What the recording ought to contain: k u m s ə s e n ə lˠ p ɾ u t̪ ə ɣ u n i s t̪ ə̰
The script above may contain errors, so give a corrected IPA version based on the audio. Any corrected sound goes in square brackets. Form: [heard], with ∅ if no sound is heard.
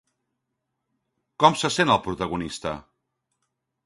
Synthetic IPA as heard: k [ɔ] m s ə s e n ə lˠ p ɾ u t̪ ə ɣ u n i s t̪ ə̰